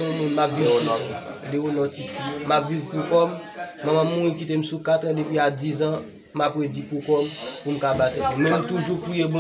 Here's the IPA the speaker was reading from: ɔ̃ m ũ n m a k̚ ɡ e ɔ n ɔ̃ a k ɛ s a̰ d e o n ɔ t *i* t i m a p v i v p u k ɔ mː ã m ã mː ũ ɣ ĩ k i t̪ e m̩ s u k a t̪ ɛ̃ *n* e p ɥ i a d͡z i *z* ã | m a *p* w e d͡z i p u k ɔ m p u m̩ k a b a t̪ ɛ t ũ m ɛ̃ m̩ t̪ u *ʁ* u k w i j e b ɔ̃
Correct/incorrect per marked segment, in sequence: correct, incorrect: d, correct, correct, incorrect: ʒ

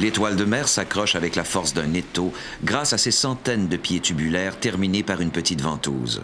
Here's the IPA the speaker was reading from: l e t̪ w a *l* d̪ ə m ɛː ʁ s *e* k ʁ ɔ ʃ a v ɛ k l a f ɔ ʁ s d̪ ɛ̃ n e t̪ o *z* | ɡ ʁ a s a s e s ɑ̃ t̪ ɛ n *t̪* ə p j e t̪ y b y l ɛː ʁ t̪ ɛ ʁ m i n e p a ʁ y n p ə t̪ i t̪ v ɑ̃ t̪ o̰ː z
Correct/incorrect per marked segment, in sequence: correct, incorrect: a, incorrect: none, incorrect: d̪

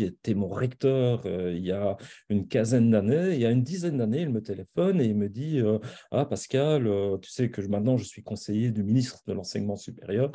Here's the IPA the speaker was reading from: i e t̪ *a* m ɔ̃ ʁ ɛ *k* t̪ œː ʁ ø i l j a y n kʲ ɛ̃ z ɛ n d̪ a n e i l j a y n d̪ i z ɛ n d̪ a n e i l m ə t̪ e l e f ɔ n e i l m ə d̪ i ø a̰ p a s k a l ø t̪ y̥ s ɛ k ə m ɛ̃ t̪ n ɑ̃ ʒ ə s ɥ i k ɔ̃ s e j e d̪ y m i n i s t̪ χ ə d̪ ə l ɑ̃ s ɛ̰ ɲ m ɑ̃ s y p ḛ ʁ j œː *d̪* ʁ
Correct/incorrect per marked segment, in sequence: incorrect: ɛ, correct, incorrect: none

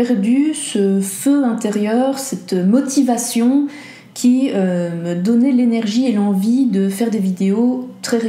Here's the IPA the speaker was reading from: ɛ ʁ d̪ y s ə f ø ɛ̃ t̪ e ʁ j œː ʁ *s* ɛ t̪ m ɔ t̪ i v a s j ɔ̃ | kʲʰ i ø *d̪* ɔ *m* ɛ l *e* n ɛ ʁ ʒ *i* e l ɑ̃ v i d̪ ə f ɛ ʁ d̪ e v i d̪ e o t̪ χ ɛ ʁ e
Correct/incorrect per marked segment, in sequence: correct, correct, incorrect: n, correct, correct

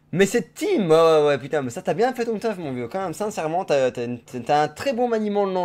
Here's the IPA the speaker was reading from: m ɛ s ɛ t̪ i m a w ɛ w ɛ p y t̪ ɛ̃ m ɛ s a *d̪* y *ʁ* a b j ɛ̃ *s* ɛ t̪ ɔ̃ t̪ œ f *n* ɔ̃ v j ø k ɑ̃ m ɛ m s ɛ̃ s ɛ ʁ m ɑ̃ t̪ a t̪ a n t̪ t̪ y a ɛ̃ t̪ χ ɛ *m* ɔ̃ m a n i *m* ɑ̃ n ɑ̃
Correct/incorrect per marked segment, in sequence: incorrect: t̪, incorrect: none, incorrect: f, incorrect: m, incorrect: b, correct

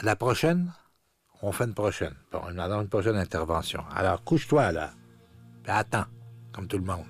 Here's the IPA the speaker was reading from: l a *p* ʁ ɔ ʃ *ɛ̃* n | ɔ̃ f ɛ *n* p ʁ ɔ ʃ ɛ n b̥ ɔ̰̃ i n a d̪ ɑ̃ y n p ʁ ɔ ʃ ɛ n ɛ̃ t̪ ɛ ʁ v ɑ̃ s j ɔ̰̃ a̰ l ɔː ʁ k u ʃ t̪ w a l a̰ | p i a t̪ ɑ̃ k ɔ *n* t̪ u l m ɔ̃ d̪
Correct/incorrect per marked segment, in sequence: correct, incorrect: ɛ, correct, incorrect: m

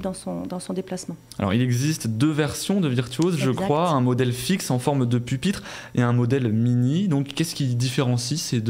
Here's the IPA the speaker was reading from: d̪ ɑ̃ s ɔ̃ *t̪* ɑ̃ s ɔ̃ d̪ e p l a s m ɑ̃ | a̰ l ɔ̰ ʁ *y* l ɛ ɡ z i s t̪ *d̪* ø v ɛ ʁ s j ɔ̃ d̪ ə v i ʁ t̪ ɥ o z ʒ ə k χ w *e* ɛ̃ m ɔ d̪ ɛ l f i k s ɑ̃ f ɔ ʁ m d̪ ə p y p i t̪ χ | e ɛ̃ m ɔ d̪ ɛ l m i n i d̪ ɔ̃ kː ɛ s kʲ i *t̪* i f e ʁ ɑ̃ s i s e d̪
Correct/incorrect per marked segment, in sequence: incorrect: d̪, incorrect: i, correct, incorrect: a, incorrect: d̪

